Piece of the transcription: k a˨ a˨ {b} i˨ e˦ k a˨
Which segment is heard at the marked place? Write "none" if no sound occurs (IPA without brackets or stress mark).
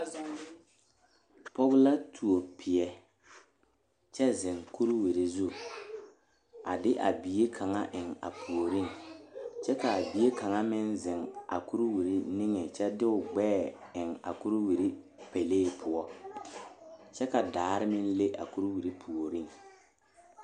b